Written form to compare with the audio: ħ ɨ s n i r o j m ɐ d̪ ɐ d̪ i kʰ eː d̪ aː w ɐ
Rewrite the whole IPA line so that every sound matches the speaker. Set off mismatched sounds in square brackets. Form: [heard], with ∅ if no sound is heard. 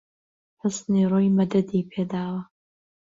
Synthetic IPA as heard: ħ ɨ s n i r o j m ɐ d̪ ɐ d̪ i [pʰ] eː d̪ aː w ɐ